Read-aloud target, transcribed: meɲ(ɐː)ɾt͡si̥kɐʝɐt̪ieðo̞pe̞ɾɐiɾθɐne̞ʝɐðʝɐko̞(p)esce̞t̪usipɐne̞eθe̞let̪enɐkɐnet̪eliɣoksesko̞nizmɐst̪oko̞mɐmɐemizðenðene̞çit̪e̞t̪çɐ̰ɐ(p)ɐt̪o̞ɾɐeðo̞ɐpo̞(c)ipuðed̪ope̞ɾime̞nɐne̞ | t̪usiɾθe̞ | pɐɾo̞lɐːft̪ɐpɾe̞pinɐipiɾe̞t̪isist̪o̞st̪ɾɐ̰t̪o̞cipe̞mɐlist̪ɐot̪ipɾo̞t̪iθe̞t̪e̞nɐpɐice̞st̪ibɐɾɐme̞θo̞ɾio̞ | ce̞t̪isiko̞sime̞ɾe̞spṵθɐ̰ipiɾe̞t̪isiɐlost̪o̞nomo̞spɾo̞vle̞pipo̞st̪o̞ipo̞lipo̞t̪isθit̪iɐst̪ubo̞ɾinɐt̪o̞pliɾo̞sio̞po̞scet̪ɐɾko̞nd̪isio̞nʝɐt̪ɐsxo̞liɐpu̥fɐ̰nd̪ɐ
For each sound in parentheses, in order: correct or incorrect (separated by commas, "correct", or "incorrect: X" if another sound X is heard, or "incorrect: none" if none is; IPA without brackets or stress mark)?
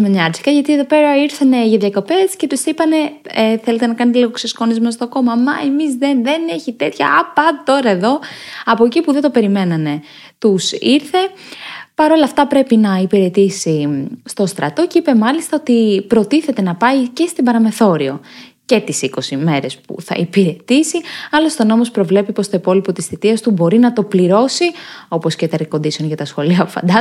incorrect: ɐ, correct, correct, correct